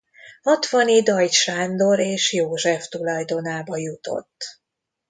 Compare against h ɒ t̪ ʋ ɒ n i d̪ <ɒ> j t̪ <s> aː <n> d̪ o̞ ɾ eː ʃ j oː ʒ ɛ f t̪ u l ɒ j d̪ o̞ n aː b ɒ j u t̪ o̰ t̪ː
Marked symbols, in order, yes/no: yes, no, yes

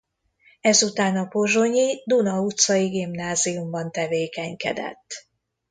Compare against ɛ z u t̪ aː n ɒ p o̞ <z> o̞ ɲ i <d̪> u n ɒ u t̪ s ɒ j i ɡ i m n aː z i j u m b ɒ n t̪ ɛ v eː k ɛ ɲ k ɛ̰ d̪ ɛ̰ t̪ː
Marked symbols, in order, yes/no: no, yes

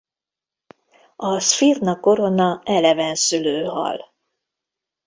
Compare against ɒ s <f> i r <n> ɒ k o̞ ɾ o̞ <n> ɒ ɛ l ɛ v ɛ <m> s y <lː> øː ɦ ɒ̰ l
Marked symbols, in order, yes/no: yes, yes, yes, no, no

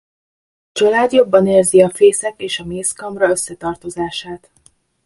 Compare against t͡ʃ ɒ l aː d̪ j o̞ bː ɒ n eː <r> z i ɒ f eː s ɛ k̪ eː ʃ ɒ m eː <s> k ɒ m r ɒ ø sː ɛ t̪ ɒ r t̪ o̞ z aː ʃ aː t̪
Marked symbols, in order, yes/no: yes, yes

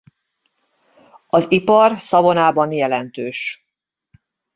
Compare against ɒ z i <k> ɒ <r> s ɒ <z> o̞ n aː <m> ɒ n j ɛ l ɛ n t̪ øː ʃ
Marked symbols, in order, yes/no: no, yes, no, no

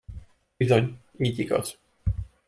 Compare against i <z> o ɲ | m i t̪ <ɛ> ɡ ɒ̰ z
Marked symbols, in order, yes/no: yes, no

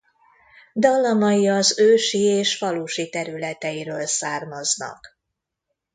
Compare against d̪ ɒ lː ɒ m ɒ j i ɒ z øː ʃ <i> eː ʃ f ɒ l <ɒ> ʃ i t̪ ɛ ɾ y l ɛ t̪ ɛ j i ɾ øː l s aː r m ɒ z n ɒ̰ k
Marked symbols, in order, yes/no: yes, no

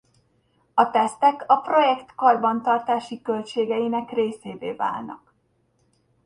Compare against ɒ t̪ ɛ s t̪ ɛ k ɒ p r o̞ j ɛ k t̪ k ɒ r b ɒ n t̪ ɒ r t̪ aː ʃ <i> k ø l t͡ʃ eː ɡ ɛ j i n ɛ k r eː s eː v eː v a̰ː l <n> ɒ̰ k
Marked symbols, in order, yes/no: yes, yes

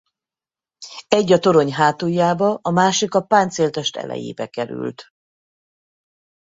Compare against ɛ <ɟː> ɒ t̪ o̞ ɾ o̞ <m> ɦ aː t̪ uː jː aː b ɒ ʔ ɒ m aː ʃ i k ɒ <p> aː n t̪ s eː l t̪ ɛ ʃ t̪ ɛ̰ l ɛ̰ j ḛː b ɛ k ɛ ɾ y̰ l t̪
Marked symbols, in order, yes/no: yes, no, yes

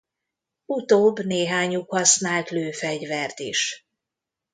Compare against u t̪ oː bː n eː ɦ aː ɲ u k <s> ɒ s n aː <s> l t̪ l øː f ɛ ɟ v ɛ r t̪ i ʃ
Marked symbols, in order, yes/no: no, no

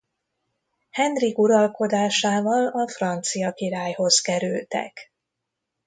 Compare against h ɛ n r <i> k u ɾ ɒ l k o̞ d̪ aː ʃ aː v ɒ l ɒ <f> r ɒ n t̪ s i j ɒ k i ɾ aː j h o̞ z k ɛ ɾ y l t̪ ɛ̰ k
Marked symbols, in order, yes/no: yes, yes

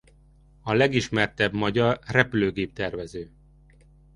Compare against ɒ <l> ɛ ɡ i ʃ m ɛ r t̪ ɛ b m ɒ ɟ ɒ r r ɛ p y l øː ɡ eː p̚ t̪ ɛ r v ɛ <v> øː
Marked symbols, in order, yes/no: yes, no

